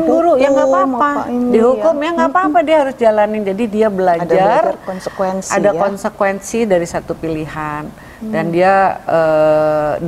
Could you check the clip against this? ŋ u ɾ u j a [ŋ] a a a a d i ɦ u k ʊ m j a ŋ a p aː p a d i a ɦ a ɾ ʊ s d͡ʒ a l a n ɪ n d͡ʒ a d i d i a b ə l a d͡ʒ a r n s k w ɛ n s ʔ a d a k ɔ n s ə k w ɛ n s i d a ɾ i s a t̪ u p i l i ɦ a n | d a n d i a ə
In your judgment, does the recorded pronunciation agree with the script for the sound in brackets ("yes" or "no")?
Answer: yes